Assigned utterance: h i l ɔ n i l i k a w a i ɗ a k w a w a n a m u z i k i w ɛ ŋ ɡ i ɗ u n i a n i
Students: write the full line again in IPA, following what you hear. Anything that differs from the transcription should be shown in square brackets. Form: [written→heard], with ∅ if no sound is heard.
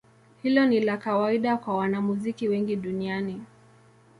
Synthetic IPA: h i l ɔ n i l [i→a] k a w a i ɗ a k w a w a n a m u z i k i w ɛ ŋ ɡ i ɗ u n i a n i

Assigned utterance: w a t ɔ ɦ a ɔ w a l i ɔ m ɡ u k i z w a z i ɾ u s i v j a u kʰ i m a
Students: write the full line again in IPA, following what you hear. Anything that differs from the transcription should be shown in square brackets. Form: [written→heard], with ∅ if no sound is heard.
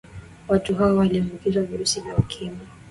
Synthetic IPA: w a t [ɔ→u] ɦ a ɔ w a l i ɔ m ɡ u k i z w a [z→v] i ɾ u s i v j a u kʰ i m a

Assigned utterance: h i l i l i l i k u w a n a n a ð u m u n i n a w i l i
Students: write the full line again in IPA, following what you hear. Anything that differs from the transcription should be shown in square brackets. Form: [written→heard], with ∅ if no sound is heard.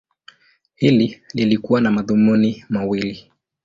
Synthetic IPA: h i l i l i l i k u w a n a [n→m] a ð u m u n i [n→m] a w i l i

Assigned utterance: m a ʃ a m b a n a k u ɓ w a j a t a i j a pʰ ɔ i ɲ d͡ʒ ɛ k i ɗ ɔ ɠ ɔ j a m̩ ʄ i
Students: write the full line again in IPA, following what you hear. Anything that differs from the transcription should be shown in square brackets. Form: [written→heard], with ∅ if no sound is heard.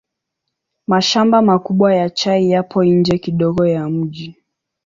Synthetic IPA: m a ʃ a m b a [n→m] a k u ɓ w a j a [t→t͡ʃ] a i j a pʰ ɔ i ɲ d͡ʒ ɛ k i ɗ ɔ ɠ ɔ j a m̩ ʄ i

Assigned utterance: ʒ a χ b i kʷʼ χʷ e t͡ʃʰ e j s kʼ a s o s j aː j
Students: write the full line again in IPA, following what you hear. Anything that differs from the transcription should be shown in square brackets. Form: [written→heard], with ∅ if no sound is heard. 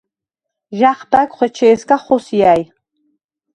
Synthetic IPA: ʒ a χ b [i→a] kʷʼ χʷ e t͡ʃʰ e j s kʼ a [s→χ] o s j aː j

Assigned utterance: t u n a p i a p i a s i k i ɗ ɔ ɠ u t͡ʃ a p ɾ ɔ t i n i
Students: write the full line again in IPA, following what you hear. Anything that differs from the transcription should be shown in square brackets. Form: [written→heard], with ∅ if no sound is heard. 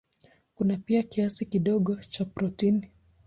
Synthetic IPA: [t→k] u n a p i a [p→k] i a s i k i ɗ ɔ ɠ [u→ɔ] t͡ʃ a p ɾ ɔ t i n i

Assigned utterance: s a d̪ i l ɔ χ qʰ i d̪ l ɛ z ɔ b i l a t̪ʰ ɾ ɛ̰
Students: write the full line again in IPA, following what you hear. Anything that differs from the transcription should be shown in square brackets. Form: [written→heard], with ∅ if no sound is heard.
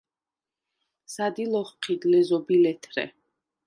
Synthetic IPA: s a d̪ i l ɔ χ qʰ i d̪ l ɛ z ɔ b i l [a→ɛ] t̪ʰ ɾ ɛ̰

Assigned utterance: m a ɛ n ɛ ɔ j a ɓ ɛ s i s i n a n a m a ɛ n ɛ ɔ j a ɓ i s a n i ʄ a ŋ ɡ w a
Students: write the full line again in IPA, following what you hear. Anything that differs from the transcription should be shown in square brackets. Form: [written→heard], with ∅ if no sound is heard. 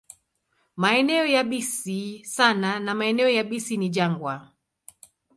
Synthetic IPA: m a ɛ n ɛ ɔ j a ɓ [ɛ→i] s i s [i→a] n a n a m a ɛ n ɛ ɔ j a ɓ i s [a→i] n i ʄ a ŋ ɡ w a

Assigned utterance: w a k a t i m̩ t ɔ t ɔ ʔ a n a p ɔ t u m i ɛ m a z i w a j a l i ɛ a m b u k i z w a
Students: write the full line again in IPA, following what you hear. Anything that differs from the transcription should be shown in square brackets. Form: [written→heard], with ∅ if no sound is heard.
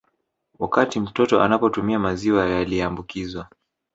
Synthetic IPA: w a k a t i m̩ t ɔ t ɔ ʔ a n a p ɔ t u m i [ɛ→a] m a z i w a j a l i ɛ a m b u k i z w a

